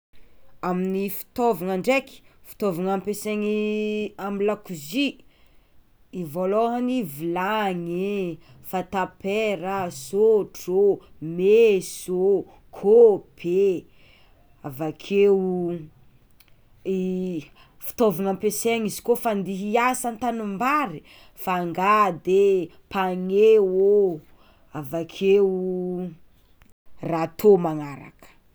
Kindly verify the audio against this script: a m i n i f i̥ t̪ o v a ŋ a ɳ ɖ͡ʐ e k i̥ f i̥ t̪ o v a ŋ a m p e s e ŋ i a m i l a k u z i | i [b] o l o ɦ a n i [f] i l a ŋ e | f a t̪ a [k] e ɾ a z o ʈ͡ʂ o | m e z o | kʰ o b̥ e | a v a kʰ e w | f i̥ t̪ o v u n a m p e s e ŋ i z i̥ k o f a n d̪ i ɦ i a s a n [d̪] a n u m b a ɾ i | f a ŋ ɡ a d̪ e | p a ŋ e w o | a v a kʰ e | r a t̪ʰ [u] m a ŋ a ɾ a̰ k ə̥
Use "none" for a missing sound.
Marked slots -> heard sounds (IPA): v, v, p, t̪, o

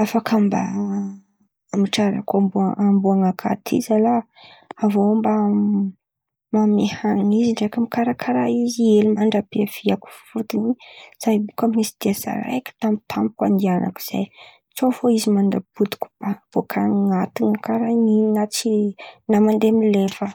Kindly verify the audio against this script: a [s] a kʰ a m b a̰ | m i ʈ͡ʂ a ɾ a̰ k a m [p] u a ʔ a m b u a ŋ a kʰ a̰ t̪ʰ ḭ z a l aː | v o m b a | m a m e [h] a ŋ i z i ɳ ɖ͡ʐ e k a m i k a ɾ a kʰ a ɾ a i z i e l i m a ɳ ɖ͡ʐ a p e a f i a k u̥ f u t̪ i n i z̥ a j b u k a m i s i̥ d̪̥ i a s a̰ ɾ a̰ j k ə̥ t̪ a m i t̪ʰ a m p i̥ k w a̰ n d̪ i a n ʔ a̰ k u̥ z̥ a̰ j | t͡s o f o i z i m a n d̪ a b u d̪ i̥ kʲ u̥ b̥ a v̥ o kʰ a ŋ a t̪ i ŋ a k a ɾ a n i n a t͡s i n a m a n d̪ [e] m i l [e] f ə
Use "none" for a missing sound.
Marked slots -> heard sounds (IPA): f, b, h, e, e

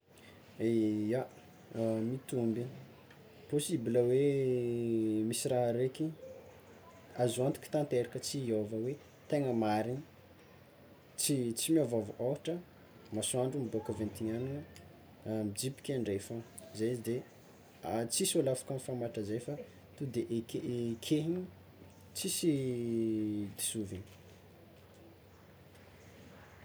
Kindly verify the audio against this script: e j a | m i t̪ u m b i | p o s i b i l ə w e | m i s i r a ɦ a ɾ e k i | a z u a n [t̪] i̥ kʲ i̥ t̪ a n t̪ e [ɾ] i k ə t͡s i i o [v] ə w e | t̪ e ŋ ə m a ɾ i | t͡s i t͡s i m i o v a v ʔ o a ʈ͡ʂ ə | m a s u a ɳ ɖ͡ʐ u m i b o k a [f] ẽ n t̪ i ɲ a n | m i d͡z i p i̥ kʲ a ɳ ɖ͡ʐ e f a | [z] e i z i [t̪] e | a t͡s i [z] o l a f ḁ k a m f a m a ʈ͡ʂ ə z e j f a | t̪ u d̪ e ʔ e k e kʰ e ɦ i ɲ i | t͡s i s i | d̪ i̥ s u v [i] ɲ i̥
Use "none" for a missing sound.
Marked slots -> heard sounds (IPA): t̪, ɾ, v, v, z, d̪, s, i

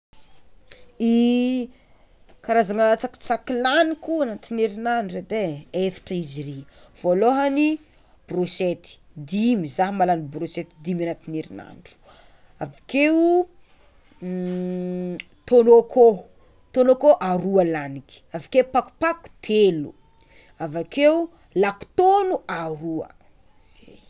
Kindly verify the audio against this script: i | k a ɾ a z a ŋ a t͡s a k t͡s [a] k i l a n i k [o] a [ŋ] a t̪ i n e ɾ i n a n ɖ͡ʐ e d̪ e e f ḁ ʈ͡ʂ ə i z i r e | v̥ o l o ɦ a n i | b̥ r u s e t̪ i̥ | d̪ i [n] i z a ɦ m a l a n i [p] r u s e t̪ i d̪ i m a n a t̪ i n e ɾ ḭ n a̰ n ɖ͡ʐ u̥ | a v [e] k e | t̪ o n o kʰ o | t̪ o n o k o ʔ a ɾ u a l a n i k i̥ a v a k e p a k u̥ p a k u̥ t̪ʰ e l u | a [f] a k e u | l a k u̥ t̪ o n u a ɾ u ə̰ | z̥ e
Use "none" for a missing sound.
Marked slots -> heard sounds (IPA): a, u, n, m, b, a, v

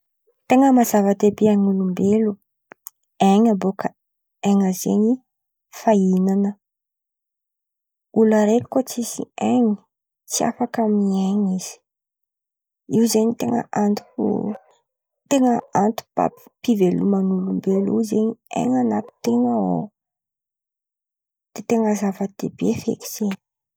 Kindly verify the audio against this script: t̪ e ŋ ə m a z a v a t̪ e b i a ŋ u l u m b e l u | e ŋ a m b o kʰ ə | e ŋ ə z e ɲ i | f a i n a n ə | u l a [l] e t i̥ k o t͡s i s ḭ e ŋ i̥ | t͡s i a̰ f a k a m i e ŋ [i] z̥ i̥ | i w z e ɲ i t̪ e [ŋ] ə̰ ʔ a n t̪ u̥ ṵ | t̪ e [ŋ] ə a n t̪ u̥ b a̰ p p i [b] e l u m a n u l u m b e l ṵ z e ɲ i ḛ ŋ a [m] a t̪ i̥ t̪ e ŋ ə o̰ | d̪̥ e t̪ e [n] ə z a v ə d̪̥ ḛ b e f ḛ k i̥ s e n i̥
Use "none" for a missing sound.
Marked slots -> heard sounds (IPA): ɾ, i, ŋ, ŋ, v, n, ŋ

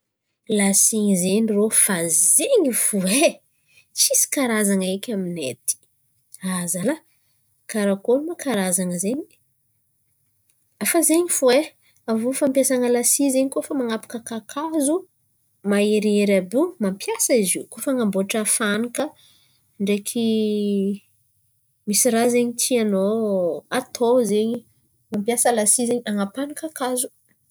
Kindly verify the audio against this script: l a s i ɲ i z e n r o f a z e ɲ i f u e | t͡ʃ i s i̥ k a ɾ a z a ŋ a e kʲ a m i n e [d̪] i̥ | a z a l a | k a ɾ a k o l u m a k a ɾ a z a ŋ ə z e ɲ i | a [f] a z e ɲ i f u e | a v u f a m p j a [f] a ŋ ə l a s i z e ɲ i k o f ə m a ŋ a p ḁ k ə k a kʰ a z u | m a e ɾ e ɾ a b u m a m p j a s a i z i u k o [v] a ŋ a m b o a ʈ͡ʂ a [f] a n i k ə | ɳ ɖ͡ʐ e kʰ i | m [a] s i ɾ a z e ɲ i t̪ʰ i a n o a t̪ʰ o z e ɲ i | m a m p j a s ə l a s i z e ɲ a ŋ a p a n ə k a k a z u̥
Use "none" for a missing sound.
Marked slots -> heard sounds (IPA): t̪, f, s, f, f, i

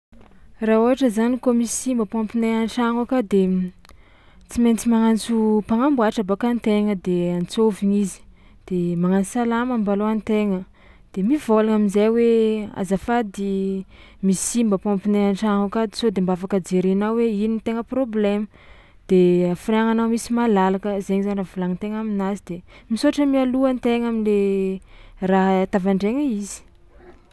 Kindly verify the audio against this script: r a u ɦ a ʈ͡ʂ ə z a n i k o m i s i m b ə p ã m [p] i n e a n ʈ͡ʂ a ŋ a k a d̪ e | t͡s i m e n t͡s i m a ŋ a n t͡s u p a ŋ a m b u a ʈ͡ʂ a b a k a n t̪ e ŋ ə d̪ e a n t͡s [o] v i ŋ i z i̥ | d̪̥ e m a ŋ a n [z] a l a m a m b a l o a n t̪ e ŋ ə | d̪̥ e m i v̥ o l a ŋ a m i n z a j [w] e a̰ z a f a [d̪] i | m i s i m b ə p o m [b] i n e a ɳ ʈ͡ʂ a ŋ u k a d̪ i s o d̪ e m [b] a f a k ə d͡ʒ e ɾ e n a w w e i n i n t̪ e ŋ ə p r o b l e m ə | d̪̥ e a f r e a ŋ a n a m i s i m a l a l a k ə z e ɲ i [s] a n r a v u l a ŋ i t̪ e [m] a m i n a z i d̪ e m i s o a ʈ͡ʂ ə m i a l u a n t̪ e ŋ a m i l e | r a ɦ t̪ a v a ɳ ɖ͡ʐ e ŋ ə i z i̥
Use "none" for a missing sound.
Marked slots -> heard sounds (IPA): p, o, s, w, d̪, p, b, z, ŋ

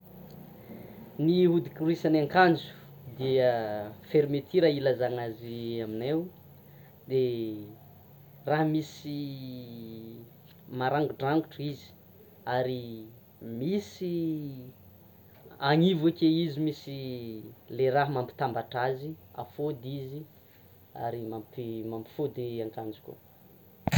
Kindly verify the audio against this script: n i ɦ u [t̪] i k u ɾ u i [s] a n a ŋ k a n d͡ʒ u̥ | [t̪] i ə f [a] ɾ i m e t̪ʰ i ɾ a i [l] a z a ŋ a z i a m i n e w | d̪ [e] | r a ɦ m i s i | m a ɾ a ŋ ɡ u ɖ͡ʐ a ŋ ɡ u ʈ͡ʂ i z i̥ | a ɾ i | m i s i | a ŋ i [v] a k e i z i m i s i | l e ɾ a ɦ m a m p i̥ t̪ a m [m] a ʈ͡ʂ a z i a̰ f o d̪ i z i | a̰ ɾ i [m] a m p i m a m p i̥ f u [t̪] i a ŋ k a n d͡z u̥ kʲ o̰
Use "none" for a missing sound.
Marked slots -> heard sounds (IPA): d̪, s, d̪, e, l, e, v, b, m, d̪

